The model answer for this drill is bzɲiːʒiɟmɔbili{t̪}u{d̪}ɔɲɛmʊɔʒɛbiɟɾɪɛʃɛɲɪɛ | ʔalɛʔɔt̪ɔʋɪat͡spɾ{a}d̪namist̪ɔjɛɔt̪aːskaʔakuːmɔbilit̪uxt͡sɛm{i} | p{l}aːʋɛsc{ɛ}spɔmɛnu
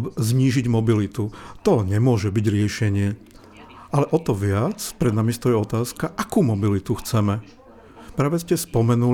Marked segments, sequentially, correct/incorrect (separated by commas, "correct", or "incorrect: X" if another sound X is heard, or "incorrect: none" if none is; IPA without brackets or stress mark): correct, incorrect: t̪, incorrect: ɛ, incorrect: ɛ, incorrect: ɾ, correct